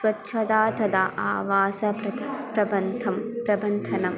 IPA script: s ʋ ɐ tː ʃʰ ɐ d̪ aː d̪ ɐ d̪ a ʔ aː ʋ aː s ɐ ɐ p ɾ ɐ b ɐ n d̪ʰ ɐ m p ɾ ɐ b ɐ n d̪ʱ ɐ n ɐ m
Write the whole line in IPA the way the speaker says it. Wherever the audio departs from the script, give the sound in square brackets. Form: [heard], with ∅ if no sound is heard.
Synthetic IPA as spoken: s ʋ ɐ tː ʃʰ ɐ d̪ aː [t̪] ɐ d̪ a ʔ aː ʋ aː s ɐ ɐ p ɾ ɐ b ɐ n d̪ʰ ɐ m p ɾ ɐ b ɐ n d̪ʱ ɐ n ɐ m